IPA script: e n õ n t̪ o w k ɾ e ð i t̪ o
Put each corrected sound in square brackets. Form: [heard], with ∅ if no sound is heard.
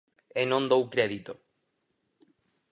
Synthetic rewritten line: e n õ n [d̪] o w k ɾ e ð i t̪ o

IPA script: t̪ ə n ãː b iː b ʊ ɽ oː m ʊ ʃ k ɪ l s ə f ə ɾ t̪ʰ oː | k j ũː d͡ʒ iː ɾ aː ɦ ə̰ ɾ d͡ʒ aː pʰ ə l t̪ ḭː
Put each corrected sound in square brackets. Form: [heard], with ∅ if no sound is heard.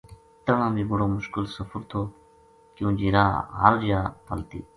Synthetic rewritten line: t̪ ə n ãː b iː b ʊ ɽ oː m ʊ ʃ k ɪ l s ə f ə ɾ t̪ʰ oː | k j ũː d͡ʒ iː ɾ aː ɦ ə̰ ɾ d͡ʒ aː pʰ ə l t̪ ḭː

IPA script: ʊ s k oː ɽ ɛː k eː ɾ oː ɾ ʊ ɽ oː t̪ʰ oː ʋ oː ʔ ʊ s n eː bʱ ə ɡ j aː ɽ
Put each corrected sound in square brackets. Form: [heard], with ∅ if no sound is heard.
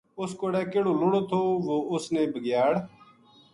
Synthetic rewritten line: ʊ s k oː ɽ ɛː k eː [ɽ] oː [l] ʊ ɽ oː t̪ʰ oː ʋ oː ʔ ʊ s n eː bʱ ə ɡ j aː ɽ

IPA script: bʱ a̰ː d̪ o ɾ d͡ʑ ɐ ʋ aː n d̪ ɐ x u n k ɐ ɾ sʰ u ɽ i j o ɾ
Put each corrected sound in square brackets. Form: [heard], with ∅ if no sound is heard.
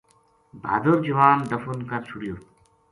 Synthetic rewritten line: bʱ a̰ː d̪ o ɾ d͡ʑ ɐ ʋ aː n d̪ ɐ [f] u n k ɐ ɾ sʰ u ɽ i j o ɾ

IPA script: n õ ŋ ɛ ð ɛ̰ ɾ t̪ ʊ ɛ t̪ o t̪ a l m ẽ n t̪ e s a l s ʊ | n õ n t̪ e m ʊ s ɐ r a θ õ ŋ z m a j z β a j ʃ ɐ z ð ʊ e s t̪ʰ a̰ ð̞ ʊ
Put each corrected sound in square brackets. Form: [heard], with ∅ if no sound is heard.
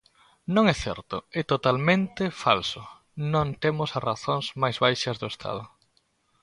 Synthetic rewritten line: n õ ŋ ɛ [θ] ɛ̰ ɾ t̪ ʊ ɛ t̪ o t̪ a l m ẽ n t̪ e [f] a l s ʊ | n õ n t̪ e m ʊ s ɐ r a θ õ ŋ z m a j z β a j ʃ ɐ z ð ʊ e s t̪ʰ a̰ ð̞ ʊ

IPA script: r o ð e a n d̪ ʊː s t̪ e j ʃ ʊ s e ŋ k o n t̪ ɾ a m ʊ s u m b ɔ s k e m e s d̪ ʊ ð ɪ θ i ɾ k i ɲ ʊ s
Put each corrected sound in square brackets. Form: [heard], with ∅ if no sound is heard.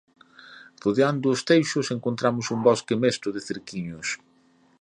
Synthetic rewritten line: r o ð e a n d̪ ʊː s t̪ e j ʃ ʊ s e ŋ k o n t̪ ɾ a m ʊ s u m b ɔ s k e m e s [t̪] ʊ ð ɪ θ [e] ɾ k i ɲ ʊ s

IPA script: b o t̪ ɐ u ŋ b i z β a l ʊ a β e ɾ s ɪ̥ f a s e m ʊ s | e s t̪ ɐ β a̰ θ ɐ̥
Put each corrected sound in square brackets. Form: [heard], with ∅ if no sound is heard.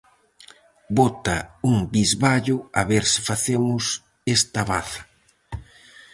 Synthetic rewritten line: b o t̪ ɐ u ŋ b i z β a [ʎ] ʊ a β e ɾ s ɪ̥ f a [θ] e m ʊ s | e s t̪ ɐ β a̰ θ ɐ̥

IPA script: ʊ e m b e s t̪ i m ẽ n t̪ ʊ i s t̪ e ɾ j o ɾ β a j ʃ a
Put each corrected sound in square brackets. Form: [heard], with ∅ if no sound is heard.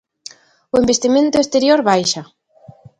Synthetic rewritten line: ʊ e m b e s t̪ i m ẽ n t̪ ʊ [e] s t̪ e ɾ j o ɾ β a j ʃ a

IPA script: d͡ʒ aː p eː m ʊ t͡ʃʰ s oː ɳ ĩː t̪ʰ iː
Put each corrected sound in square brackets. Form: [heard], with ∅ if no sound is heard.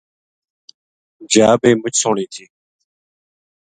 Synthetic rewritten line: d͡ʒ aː [b] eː m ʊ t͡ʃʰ s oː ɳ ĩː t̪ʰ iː

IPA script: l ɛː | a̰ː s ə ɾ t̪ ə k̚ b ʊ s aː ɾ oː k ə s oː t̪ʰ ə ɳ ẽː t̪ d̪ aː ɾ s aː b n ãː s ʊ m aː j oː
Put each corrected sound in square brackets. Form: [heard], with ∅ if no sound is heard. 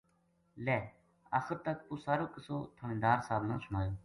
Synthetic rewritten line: l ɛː | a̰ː [x] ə ɾ t̪ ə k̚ [p] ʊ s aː ɾ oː k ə s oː t̪ʰ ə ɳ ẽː [∅] d̪ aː ɾ s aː b n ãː s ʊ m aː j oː

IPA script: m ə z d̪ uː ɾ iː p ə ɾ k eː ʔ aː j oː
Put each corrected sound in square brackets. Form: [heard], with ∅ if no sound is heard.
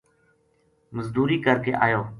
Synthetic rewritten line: m ə z d̪ uː ɾ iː [k] ə ɾ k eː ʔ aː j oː

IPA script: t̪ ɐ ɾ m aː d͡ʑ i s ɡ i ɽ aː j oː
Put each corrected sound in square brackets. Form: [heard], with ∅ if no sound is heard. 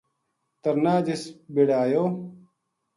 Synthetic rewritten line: t̪ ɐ ɾ [n] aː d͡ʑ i s [b] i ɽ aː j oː

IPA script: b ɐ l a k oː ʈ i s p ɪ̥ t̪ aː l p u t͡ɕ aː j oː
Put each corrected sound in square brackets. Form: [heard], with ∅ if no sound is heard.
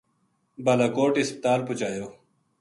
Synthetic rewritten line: b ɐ l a k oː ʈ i s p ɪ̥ t̪ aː l p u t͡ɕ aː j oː

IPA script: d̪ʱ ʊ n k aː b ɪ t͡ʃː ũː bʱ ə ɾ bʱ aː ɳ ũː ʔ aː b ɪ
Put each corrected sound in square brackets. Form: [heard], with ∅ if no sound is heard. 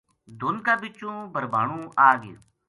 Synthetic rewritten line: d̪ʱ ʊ n k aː b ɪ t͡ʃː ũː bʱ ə ɾ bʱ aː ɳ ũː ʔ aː [ɡ] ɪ

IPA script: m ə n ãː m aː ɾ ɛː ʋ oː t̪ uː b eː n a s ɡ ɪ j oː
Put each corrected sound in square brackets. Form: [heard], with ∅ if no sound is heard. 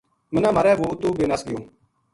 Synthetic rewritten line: m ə n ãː m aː ɾ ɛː ʋ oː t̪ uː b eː n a s ɡ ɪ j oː

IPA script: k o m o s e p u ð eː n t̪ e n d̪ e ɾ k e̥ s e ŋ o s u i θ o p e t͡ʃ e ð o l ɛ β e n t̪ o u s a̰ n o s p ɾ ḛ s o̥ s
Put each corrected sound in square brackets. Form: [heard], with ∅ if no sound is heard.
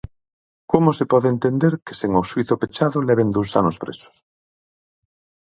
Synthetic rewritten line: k o m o s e p [ɔ] ð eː n t̪ e n d̪ e ɾ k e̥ s e ŋ o s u i θ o p e t͡ʃ [a] ð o l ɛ β e n [d̪] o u s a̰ n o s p ɾ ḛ s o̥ s

